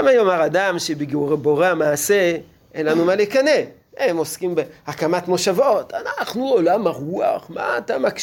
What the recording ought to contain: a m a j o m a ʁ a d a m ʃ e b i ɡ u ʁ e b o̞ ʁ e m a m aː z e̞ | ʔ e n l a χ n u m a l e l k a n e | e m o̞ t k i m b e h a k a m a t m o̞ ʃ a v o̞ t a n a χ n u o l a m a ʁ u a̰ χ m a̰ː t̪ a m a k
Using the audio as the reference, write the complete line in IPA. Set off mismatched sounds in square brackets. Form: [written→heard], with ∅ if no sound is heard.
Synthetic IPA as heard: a m a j o m a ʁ a d a m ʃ e b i ɡ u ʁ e b o̞ ʁ e [m→∅] a m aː [z→s] e̞ | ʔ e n l a [χ→∅] n u m a l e [l→∅] k a n e | e m o̞ [t→s] k i m b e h a k a m a t m o̞ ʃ a v o̞ t a n a χ n u o l a m a ʁ u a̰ χ m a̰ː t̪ a m a k